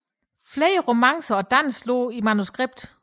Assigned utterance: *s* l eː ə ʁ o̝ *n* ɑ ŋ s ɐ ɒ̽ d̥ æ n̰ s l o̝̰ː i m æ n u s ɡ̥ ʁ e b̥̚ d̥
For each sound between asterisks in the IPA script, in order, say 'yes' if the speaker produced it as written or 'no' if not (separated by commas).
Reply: no, no